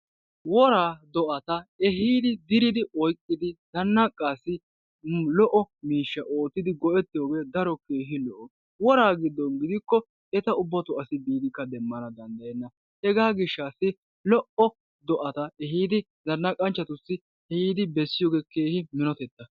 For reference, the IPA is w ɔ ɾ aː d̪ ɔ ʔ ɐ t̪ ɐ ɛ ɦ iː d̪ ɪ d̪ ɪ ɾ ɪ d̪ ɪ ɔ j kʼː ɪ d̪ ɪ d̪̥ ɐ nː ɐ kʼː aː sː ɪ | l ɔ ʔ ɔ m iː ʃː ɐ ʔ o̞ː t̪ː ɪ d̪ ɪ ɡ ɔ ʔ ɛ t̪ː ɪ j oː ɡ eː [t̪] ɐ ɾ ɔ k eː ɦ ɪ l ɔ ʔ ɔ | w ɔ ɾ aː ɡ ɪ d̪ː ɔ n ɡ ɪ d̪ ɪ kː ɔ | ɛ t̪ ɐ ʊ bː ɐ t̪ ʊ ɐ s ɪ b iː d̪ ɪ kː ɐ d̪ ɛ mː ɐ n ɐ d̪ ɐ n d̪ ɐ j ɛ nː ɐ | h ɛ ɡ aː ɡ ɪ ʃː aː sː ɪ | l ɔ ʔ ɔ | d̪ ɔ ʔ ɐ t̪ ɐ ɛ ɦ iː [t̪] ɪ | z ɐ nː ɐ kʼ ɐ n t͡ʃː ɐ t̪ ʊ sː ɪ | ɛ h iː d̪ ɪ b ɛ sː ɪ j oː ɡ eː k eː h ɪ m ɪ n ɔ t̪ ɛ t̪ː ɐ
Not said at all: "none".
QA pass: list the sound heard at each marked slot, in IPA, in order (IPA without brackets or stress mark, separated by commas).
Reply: d̪, d̪